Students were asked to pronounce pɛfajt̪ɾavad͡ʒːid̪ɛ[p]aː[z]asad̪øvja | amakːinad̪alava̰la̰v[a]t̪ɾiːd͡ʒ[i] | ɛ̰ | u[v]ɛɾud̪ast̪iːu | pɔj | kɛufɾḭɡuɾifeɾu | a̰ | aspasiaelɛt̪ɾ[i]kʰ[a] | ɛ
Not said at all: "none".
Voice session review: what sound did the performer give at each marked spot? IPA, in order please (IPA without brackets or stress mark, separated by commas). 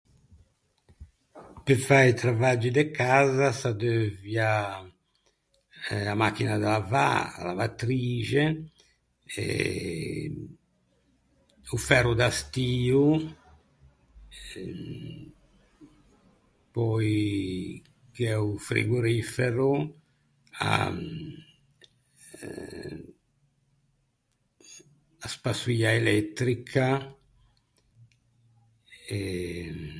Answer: k, z, a, ɛ, f, i, a